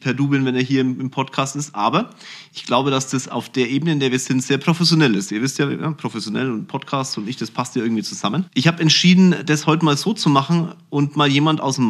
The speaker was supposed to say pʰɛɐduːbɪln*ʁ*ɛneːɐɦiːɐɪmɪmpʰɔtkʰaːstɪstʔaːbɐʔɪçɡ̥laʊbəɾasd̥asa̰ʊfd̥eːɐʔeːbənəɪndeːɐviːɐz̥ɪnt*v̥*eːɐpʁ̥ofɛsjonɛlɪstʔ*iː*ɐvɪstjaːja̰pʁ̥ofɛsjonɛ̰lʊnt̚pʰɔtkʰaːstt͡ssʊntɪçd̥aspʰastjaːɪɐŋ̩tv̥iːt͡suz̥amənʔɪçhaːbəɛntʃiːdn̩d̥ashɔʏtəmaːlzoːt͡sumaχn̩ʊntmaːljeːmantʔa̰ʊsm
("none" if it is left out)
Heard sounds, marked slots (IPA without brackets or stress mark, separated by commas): v, z̥, iː